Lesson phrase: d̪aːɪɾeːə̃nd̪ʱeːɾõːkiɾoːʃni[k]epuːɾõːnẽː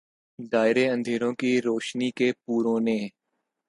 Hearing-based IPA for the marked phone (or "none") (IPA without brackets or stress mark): k